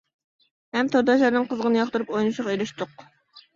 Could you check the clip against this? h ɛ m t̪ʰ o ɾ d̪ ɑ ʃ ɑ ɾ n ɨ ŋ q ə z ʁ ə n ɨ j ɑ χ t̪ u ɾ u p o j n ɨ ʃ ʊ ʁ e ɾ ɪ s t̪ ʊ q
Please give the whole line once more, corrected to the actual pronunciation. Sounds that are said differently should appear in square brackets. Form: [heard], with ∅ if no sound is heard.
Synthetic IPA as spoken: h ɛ m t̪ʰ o ɾ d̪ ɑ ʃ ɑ ɾ n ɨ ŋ q ə z ʁ ə n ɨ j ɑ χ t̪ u ɾ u p o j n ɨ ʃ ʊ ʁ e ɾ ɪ [ʃ] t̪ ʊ q